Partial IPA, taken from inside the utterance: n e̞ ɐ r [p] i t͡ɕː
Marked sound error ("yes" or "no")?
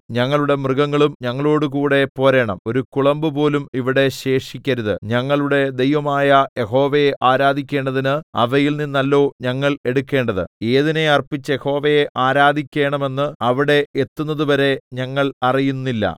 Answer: no